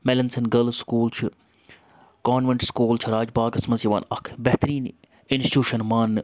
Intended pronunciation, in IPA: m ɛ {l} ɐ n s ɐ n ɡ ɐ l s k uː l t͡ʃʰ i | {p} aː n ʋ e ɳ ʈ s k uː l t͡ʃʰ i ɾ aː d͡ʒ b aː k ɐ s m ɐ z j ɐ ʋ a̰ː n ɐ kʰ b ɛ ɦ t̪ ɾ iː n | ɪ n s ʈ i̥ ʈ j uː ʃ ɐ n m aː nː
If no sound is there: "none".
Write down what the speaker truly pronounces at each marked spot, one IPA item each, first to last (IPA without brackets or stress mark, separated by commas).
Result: l, k